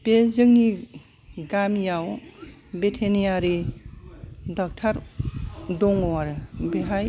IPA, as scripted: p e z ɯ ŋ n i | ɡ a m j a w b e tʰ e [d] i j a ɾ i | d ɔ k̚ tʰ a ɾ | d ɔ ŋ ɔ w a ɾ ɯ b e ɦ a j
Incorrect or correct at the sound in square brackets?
incorrect: n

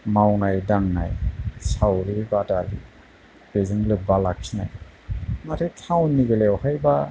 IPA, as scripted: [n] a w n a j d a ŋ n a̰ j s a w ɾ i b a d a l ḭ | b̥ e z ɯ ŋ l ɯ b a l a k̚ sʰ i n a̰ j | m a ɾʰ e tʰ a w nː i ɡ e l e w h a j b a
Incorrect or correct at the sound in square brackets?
incorrect: m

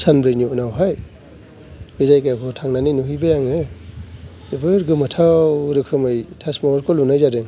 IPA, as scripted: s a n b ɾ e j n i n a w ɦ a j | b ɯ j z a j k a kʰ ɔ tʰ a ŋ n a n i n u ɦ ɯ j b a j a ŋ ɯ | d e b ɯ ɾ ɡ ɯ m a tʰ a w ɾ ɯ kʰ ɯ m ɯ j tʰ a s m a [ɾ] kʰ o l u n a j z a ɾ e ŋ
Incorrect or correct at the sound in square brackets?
correct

